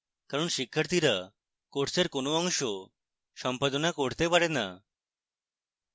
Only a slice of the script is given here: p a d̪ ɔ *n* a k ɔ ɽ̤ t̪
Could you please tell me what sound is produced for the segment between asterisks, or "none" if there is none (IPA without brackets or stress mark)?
n